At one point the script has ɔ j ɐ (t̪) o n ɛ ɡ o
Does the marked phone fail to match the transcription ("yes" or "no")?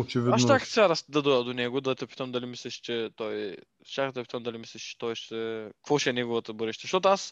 yes